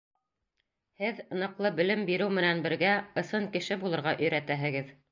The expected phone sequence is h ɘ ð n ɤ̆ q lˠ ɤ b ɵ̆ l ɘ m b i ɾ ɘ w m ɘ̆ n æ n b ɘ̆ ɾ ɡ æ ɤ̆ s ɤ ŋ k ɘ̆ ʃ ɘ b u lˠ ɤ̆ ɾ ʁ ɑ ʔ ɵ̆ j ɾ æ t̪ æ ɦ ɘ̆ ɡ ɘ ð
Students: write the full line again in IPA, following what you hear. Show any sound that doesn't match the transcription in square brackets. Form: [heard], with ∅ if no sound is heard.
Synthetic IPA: h ɘ ð n ɤ̆ q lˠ ɤ b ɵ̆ l ɘ m b i ɾ ɘ w m ɘ̆ n æ n b ɘ̆ ɾ ɡ æ ɤ̆ s ɤ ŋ k ɘ̆ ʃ ɘ b u lˠ ɤ̆ ɾ ʁ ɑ ʔ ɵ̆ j ɾ æ t̪ æ ɦ ɘ̆ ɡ ɘ ð